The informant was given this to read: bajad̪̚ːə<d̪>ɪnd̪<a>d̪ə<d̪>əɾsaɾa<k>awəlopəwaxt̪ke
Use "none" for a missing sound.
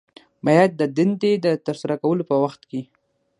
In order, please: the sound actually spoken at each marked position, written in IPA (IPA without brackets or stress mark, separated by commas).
d̪, e, t̪, k